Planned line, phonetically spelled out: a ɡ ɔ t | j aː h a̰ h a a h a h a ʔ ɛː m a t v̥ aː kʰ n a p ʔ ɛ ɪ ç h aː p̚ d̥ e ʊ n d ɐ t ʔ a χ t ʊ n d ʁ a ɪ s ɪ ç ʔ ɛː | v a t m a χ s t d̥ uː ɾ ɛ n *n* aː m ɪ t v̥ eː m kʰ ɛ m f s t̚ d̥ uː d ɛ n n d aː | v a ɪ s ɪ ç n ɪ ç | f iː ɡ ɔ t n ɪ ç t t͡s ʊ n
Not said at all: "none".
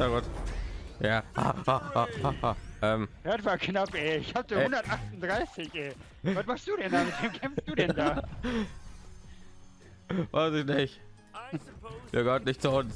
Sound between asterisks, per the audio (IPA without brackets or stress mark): d